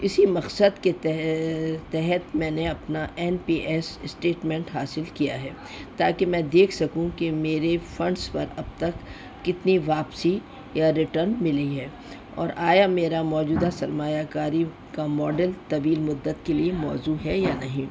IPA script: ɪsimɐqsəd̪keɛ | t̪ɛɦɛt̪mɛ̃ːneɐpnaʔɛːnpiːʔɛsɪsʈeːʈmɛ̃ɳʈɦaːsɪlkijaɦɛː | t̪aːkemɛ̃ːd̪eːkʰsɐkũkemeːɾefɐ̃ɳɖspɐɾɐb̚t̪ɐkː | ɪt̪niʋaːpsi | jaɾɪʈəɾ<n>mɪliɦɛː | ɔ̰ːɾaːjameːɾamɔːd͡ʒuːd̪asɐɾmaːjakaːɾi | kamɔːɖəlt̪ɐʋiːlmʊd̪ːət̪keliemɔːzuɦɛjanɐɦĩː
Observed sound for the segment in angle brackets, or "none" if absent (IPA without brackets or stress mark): n